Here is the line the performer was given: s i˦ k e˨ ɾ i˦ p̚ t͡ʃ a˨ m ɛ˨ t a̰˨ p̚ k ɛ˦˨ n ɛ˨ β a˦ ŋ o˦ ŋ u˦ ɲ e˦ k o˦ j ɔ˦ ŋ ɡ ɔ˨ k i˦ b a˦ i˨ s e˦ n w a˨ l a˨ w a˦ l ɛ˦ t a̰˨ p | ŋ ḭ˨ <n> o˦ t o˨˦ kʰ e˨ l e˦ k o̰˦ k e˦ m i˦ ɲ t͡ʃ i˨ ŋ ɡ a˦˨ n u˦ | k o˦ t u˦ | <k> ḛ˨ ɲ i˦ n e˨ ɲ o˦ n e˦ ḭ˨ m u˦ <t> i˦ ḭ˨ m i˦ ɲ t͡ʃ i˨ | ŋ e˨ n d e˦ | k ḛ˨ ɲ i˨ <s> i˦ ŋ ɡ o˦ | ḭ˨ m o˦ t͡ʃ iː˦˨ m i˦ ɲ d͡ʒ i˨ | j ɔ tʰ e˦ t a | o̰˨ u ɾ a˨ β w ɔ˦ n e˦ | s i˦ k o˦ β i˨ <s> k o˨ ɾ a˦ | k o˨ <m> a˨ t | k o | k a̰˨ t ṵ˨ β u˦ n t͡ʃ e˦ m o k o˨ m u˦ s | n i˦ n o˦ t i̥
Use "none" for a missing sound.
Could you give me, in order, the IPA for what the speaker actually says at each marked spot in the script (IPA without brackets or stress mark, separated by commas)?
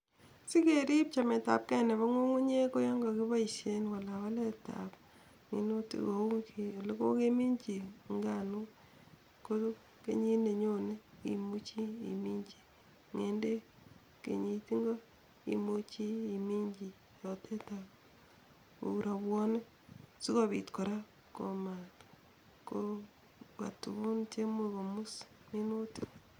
n, k, t͡ʃ, t, t, m